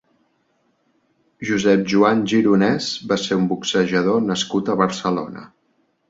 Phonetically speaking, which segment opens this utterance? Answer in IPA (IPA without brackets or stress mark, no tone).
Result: ʒ